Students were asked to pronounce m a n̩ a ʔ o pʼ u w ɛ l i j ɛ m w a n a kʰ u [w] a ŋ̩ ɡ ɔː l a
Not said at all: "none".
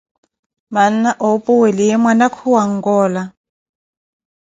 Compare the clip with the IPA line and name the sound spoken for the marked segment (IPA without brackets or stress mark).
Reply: w